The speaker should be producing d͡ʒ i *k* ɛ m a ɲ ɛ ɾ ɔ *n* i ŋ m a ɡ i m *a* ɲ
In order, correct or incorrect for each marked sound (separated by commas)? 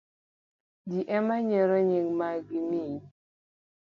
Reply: incorrect, incorrect, incorrect